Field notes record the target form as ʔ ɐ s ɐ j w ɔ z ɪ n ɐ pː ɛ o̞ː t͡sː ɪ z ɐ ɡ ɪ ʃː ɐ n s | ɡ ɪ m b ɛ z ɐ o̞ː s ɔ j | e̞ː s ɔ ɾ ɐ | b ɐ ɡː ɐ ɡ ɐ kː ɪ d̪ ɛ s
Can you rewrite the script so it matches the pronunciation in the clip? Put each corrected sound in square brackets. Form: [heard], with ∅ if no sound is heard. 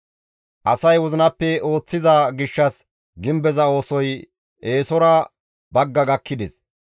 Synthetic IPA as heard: ʔ ɐ s ɐ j w ɔ z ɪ n ɐ pː ɛ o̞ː t͡sː ɪ z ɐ ɡ ɪ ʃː ɐ [∅] s | ɡ ɪ m b ɛ z ɐ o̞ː s ɔ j | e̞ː s ɔ ɾ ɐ | b ɐ ɡː ɐ ɡ ɐ kː ɪ d̪ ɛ s